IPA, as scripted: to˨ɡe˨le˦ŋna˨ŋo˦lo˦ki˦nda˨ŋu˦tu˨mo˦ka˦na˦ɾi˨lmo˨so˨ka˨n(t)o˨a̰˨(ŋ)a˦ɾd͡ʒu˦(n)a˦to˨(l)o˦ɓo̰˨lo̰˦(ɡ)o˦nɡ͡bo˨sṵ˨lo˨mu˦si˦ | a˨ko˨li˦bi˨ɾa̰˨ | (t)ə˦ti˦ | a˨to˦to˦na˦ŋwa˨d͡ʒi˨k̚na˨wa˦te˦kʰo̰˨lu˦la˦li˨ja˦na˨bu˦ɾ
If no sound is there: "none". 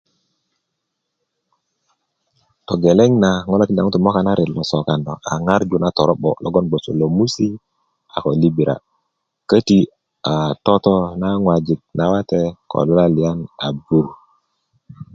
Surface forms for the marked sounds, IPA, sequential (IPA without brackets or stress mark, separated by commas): d, ŋ, n, ɾ, ɡ, k